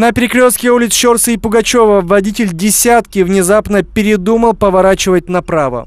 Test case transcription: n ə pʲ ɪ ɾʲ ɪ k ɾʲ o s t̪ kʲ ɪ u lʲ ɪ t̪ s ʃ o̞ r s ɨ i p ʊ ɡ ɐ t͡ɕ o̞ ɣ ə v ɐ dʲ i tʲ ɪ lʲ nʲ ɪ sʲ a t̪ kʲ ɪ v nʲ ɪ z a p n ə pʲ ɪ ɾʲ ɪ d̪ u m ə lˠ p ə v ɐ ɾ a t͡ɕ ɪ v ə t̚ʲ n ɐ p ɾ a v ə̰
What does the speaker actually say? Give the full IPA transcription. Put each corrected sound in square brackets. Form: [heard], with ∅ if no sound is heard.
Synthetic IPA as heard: n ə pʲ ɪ ɾʲ ɪ k ɾʲ o s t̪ kʲ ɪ u lʲ ɪ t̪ s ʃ o̞ r s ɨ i p ʊ ɡ ɐ t͡ɕ o̞ [v] ə v ɐ dʲ i tʲ ɪ lʲ [dʲ] ɪ sʲ a t̪ kʲ ɪ v nʲ ɪ z a p n ə pʲ ɪ ɾʲ ɪ d̪ u m ə lˠ p ə v ɐ ɾ a t͡ɕ ɪ v ə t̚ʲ n ɐ p ɾ a v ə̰